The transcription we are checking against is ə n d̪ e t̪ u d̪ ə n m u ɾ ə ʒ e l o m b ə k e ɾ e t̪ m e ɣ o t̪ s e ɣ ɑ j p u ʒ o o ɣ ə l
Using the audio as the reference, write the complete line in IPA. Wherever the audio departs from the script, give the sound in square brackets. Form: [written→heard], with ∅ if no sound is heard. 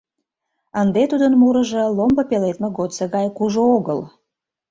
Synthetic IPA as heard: ə n d̪ e t̪ u d̪ ə n m u ɾ ə ʒ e l o m b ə [k→p] e [ɾ→l] e t̪ m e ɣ o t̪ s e ɣ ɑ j [p→k] u ʒ o o ɣ ə l

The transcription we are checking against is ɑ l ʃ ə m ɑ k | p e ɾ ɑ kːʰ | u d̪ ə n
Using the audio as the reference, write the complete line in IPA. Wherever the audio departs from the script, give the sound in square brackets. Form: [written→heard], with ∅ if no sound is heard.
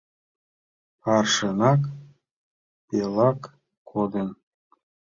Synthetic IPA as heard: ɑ [l→r] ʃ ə [m→n] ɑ k | p e [ɾ→l] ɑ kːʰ | [u→o] d̪ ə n

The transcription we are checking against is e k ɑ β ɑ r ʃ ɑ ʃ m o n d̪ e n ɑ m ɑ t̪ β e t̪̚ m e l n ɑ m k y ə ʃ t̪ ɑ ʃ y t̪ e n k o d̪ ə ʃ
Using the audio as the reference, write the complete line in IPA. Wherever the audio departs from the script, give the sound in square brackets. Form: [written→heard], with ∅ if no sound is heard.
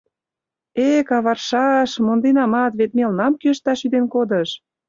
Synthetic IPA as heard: e k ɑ β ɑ r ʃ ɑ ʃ m o n d̪ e n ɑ m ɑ t̪ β e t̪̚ m e l n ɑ m k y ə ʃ t̪ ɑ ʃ y [t̪→d̪] e n k o d̪ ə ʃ

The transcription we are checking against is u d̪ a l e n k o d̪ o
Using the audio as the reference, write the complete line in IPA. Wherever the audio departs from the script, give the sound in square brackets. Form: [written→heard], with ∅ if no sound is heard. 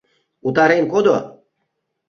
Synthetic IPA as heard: u [d̪→t̪] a [l→ɾ] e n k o d̪ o

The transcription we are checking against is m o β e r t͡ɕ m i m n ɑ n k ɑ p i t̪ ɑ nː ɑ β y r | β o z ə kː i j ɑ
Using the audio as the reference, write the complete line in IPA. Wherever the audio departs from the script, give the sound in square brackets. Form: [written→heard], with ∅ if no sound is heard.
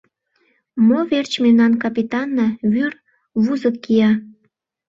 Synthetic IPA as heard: m o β e r t͡ɕ m [i→e] m n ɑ n k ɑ p i t̪ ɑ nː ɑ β y r | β [o→u] z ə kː i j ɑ

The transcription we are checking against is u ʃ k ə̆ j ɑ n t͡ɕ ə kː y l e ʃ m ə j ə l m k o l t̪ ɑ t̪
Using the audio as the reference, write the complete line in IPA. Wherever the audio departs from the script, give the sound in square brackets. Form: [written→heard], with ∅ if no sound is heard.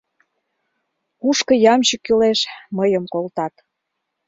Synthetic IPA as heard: u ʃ k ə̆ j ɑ [n→m] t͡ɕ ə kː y l e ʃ m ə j ə [l→∅] m k o l t̪ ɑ t̪

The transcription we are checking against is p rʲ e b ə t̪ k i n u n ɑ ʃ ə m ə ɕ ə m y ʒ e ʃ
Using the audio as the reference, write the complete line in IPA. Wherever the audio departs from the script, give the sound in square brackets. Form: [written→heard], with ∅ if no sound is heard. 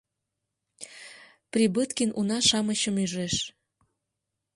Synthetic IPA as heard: p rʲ [e→i] b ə t̪ k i n u n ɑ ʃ [ə→ɑ] m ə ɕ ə m y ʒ e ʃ

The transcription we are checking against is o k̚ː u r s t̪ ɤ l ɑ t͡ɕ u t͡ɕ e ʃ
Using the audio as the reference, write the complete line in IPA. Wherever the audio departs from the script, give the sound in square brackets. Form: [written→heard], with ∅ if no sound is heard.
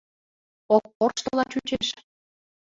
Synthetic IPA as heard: o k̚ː [u→o] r [s→ʃ] t̪ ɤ l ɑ t͡ɕ u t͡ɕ e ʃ

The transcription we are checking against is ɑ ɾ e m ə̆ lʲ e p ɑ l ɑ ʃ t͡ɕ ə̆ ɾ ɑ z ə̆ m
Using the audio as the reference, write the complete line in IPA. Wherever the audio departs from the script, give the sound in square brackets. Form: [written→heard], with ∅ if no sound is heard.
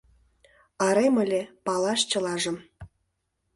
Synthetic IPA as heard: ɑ ɾ e m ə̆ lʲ e p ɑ l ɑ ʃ t͡ɕ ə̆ [ɾ→l] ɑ [z→ʒ] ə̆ m

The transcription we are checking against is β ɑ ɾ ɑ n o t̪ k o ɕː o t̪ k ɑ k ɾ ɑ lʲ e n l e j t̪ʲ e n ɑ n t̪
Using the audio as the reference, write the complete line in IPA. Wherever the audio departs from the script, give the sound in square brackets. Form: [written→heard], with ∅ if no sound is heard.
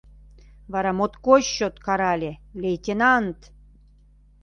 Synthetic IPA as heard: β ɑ ɾ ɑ [n→m] o t̪ k o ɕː o t̪ k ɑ [k→∅] ɾ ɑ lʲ e [n→∅] l e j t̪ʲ e n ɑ n t̪

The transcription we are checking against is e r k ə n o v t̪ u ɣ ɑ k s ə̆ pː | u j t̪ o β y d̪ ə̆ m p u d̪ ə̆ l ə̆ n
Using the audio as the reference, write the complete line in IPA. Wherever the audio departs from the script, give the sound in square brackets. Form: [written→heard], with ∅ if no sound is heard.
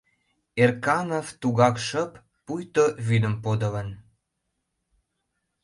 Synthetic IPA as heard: e r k [ə→ɑ] n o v t̪ u ɣ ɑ k [s→ʃ] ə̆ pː | u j t̪ o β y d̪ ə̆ m p [u→o] d̪ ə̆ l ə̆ n

